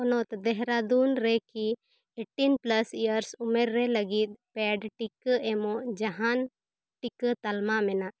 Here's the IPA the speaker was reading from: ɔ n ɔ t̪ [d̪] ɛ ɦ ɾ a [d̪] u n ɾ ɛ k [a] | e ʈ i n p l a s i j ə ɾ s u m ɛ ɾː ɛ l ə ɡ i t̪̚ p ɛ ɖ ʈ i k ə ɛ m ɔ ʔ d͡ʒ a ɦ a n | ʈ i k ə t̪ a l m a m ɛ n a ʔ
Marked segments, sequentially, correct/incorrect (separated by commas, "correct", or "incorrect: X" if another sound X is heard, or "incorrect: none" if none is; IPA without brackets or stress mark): correct, correct, incorrect: i